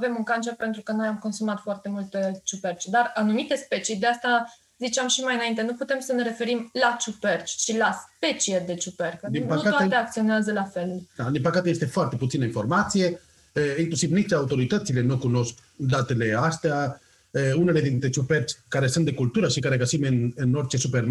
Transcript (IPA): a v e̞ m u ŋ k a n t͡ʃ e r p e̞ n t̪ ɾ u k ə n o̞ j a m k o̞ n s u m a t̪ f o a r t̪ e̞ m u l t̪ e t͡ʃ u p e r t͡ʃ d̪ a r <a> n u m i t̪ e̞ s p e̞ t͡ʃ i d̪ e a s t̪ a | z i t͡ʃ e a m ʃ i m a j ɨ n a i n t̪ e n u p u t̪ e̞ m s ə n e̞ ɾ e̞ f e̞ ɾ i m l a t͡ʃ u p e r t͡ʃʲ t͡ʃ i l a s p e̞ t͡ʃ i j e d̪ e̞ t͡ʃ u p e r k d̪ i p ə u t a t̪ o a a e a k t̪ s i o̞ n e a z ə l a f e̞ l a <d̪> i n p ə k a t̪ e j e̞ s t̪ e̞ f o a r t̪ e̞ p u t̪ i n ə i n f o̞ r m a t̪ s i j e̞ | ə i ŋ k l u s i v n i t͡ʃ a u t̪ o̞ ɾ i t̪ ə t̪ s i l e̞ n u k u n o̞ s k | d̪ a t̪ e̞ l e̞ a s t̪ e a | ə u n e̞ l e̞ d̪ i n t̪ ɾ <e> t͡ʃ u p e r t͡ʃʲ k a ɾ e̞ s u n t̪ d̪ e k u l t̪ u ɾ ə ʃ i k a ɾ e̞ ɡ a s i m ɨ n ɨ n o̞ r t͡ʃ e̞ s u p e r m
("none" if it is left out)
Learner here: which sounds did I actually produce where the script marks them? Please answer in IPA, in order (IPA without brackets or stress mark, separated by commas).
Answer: a, d̪, e